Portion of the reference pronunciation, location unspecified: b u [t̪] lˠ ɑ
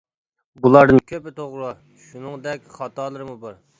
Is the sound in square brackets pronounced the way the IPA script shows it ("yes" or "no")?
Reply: no